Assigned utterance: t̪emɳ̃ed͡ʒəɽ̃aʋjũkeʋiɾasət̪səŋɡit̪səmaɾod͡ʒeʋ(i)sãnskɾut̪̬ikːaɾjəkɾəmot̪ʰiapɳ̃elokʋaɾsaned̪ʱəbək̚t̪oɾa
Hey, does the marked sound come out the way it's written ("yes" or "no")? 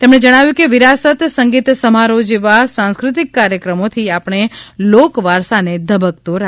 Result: no